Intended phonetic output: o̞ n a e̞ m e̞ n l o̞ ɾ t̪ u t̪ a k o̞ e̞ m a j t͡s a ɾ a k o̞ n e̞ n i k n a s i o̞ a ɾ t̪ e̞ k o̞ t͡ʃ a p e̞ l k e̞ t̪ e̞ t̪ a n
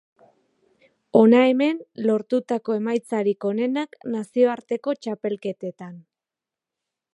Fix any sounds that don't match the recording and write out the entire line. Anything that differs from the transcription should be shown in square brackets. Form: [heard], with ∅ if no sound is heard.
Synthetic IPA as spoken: o̞ n a e̞ m e̞ n l o̞ ɾ t̪ u t̪ a k o̞ e̞ m a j t͡s a ɾ [i] k o̞ n e̞ n [a] k n a s i o̞ a ɾ t̪ e̞ k o̞ t͡ʃ a p e̞ l k e̞ t̪ e̞ t̪ a n